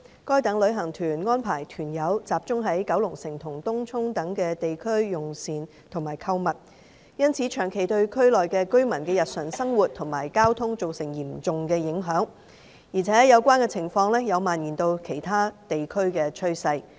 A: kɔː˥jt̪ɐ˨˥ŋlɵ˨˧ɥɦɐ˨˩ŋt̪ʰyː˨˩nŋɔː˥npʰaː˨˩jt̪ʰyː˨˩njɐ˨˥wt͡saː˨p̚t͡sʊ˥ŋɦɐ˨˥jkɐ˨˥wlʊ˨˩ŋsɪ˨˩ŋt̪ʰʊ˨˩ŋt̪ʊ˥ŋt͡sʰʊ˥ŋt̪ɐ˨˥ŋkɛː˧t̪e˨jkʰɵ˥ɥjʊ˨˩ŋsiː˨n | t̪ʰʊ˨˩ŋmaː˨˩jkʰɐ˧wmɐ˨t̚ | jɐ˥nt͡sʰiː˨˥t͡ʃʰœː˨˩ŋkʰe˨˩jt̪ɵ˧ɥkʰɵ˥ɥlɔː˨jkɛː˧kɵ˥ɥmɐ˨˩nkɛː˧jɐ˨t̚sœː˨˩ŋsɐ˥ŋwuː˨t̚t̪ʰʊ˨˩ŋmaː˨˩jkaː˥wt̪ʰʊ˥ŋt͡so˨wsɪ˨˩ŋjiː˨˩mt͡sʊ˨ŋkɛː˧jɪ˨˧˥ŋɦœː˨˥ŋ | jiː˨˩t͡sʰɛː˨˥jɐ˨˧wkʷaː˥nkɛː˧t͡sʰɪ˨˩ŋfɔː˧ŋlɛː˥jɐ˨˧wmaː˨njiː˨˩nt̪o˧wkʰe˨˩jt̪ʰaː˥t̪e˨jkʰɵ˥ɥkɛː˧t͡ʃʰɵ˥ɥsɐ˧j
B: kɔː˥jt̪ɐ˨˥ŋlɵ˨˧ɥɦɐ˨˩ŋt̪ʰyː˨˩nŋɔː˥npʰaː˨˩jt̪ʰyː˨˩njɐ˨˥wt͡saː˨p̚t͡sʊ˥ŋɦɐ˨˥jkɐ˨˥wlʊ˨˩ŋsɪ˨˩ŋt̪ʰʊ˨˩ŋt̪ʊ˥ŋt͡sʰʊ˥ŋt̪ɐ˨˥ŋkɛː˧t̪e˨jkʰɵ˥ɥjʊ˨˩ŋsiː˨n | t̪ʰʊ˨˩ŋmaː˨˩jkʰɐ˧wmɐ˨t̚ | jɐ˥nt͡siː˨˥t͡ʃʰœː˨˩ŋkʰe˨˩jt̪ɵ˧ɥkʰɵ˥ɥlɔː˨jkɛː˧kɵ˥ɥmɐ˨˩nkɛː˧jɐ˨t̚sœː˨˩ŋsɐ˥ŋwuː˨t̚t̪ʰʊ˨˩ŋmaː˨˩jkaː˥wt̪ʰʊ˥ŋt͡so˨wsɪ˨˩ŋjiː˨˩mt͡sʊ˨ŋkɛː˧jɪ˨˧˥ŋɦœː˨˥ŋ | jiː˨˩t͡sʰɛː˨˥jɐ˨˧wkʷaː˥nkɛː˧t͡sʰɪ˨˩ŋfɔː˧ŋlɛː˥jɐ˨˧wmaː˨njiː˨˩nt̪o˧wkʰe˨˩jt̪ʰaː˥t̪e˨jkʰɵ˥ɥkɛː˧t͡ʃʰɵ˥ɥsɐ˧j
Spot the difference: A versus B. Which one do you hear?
A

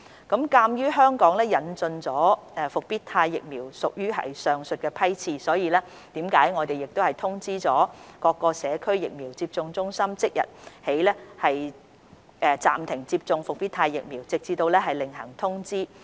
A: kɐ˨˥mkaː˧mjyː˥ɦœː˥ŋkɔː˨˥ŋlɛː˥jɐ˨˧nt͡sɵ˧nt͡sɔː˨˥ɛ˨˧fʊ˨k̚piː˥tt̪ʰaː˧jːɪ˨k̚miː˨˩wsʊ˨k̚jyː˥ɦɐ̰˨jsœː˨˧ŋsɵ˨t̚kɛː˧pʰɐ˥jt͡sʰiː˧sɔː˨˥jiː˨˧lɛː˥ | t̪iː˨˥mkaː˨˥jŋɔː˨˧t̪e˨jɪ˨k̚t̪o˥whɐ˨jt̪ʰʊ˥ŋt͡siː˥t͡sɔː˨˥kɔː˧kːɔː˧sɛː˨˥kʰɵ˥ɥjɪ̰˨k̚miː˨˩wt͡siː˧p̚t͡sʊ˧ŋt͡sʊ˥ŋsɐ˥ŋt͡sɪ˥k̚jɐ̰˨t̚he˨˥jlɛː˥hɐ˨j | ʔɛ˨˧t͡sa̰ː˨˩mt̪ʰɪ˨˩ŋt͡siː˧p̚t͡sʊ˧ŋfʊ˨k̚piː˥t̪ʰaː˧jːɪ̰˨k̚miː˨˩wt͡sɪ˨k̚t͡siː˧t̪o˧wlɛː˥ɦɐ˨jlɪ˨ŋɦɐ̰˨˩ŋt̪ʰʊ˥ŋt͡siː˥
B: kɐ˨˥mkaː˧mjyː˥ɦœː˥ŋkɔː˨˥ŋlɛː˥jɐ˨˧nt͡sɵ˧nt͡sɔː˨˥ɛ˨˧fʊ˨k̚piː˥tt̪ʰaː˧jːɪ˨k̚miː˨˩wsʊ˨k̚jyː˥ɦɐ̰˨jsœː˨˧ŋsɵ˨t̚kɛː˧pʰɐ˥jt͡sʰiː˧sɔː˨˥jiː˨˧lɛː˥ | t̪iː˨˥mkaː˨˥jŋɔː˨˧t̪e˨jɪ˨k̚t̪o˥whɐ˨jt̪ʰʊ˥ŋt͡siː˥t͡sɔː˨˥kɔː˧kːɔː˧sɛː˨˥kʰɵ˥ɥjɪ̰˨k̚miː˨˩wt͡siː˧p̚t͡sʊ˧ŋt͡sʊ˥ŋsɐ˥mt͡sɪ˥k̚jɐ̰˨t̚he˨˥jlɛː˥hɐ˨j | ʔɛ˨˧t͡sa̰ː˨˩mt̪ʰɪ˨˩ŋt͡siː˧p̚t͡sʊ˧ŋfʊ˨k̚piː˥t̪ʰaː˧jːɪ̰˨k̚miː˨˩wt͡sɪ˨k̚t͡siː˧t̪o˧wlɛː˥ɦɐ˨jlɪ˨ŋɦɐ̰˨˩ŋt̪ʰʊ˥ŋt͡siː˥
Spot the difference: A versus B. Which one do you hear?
B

